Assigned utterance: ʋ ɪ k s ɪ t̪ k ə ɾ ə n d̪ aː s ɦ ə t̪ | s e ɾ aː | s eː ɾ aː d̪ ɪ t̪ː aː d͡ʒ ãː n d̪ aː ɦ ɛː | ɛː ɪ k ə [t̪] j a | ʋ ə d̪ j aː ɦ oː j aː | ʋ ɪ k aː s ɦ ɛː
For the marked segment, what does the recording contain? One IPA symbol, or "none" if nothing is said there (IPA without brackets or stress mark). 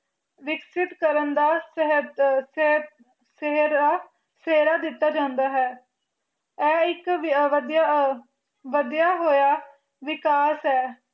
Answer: d̪